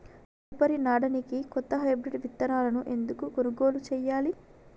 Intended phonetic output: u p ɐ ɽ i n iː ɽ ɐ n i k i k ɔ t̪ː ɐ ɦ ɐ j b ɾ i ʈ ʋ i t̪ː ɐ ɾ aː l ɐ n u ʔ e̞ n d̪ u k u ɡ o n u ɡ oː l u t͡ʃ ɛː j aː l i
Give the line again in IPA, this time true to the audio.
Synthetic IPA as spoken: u p ɐ ɾ i n aː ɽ ɐ n i k i k ɔ t̪ː ɐ ɦ ɐ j b ɾ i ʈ ʋ i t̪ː ɐ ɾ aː l ɐ n u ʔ e̞ n d̪ u k u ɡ o n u ɡ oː l u t͡ʃ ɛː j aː l i